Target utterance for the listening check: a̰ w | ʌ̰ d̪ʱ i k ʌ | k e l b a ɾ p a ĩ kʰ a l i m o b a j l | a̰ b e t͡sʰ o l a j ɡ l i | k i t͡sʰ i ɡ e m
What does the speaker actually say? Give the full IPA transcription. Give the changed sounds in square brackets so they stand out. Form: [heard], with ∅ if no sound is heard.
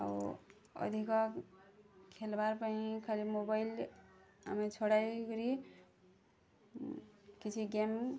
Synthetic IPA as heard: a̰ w | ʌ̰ d̪ʱ i k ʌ | [kʰ] e l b a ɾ p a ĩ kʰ a l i m o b a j l | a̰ [m] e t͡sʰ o [ɽ] a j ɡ [ɾ] i | k i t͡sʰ i ɡ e m